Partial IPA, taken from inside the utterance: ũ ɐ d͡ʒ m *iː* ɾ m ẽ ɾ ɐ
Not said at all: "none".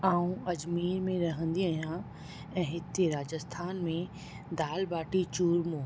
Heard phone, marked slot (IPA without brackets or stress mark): iː